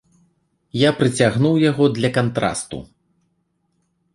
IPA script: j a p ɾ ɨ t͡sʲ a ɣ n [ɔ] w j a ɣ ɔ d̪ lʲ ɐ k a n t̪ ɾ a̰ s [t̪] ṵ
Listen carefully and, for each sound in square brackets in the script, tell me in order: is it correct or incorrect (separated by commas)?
incorrect, correct